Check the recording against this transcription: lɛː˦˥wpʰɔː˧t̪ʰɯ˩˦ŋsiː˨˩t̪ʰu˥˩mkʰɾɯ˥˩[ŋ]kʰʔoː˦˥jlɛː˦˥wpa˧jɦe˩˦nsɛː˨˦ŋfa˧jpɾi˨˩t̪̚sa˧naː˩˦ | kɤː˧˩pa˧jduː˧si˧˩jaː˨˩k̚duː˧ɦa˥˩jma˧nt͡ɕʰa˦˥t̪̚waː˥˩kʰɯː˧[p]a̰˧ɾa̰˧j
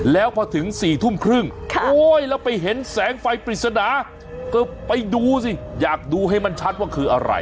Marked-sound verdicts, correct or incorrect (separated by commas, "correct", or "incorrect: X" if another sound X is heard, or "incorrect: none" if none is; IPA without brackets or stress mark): correct, incorrect: ʔ